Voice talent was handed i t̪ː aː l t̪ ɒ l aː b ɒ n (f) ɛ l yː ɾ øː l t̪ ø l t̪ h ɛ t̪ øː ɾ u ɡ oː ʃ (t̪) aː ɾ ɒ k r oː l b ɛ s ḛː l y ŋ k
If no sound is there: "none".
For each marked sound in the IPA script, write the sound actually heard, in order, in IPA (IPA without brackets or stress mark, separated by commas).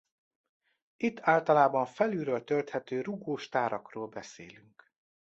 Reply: f, t̪